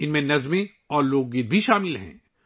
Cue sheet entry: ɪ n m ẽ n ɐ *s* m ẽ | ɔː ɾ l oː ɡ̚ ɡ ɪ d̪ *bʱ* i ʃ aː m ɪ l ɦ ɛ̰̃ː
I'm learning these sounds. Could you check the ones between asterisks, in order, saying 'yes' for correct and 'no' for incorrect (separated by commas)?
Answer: no, yes